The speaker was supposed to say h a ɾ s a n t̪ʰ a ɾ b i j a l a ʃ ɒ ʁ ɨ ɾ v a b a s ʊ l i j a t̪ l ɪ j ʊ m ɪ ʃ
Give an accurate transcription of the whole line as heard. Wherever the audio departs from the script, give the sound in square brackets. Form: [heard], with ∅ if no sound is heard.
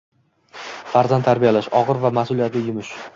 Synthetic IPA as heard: [f] a ɾ [z] a n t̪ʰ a ɾ b i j a l a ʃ ɒ ʁ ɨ ɾ v a [m] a s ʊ l i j a t̪ l ɪ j ʊ m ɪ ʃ